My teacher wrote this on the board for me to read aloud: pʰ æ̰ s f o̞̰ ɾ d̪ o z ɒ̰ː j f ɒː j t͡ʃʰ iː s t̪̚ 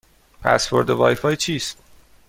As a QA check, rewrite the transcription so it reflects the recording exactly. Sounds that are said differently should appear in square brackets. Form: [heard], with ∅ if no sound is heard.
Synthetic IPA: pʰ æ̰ s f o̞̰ ɾ d̪ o [v] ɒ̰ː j f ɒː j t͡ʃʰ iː s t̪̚